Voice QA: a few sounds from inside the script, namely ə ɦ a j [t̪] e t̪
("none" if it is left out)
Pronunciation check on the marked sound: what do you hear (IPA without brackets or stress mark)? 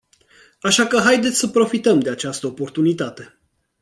d̪